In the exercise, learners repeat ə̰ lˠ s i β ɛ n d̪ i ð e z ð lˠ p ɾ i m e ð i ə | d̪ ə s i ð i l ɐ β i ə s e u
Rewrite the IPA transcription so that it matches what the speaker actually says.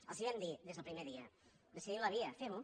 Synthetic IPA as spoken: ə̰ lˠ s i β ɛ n d̪ i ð e z ð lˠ p ɾ i m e ð i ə | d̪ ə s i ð i l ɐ β i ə f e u